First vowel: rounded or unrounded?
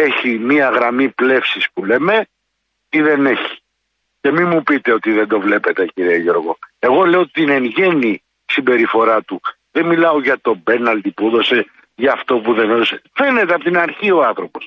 unrounded